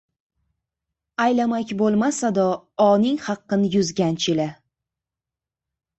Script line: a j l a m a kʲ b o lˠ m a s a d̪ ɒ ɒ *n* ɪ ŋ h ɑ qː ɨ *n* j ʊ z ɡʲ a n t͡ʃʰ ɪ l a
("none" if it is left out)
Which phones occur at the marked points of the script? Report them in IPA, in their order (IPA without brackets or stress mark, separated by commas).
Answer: n, n